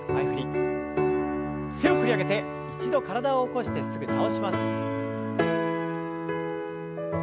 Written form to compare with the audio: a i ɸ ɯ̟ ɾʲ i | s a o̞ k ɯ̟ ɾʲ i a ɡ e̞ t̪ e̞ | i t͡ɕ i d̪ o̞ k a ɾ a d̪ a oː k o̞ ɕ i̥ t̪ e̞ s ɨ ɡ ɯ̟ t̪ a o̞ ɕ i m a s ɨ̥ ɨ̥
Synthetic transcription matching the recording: a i ɸ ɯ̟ ɾʲ i | s e o̞ k ɯ̟ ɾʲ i a ɡ e̞ t̪ e̞ | i t͡ɕ i d̪ o̞ k a ɾ a d̪ a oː k o̞ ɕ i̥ t̪ e̞ s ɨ ɡ ɯ̟ t̪ a o̞ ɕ i m a s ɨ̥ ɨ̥